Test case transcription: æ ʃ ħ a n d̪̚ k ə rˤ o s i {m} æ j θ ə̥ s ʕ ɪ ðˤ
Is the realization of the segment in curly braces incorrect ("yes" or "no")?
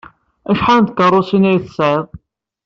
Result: yes